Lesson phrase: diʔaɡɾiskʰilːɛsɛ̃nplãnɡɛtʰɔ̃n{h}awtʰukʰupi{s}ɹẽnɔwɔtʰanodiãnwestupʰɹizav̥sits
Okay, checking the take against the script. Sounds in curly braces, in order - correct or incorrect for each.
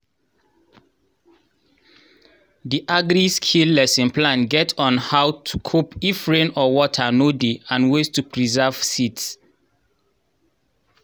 correct, incorrect: f

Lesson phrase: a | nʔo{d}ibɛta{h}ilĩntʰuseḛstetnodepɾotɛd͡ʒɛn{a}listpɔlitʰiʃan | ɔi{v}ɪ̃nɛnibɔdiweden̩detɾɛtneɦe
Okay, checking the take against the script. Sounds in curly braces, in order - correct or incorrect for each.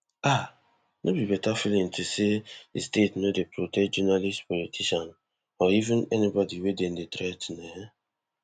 incorrect: b, incorrect: f, correct, correct

